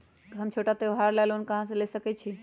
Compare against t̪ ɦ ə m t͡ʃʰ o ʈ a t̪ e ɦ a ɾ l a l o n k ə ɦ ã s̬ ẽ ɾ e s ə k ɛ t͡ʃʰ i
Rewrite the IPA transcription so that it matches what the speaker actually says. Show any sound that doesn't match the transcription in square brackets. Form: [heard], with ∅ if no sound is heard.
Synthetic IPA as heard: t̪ ɦ ə m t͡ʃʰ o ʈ a t̪ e ɦ a ɾ l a l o n k ə ɦ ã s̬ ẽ [l] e s ə k ɛ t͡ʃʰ i